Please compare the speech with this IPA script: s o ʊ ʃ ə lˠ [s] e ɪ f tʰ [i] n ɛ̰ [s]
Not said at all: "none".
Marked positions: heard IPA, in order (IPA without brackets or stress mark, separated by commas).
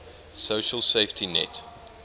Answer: s, i, t